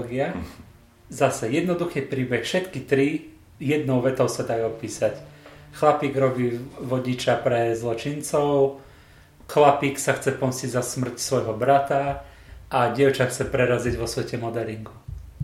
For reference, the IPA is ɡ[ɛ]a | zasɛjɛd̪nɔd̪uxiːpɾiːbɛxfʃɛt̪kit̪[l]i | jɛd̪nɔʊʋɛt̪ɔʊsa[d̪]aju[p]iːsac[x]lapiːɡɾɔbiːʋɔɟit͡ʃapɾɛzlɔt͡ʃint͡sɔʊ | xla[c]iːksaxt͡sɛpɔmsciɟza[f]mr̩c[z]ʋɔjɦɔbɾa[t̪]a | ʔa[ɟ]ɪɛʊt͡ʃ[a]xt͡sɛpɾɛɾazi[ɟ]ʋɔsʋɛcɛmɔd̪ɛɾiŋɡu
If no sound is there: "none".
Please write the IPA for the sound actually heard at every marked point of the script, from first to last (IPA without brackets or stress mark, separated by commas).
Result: i, ɾ, d̪, p, x, p, s, s, t̪, ɟ, a, ɟ